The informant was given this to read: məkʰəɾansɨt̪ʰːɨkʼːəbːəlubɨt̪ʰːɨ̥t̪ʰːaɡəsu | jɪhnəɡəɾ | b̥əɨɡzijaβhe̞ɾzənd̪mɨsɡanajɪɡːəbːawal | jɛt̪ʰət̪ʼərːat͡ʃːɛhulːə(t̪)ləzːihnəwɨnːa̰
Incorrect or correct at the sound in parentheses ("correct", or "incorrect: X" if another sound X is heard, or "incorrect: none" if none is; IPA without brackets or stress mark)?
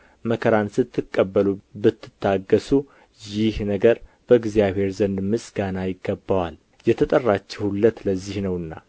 correct